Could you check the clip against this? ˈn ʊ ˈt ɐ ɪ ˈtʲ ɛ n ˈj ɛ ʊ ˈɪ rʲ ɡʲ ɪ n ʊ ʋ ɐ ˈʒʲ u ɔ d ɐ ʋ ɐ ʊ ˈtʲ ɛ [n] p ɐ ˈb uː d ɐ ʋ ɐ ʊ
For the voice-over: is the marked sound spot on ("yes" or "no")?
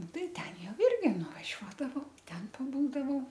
yes